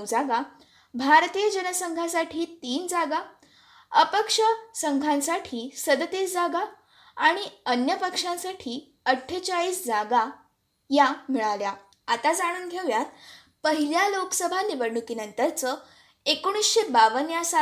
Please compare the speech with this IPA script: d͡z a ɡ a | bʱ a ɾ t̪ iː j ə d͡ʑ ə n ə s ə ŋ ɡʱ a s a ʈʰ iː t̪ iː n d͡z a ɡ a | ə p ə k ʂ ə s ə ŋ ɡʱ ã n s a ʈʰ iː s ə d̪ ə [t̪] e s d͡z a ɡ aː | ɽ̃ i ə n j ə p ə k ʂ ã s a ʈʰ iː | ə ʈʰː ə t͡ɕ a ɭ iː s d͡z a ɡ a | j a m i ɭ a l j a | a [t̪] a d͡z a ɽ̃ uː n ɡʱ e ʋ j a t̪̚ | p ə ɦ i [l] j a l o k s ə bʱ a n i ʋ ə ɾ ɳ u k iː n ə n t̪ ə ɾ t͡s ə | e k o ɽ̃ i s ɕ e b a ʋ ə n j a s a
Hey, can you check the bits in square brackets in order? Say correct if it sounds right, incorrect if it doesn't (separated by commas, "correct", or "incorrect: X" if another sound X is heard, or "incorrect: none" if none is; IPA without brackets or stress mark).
correct, correct, correct